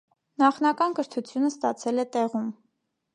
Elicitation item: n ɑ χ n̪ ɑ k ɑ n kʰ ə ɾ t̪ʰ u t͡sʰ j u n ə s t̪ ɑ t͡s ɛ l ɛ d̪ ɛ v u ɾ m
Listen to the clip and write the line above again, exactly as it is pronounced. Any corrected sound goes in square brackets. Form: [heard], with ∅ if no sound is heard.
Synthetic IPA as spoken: n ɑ χ n̪ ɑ k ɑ n [k] ə ɾ t̪ʰ u t͡sʰ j u n ə s t̪ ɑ [t͡sʰ] ɛ l ɛ [t̪] ɛ [ʁ] u [∅] m